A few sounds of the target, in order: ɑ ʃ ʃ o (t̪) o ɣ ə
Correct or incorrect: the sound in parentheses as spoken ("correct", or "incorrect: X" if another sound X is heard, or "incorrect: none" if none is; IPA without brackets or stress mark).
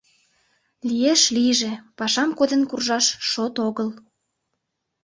correct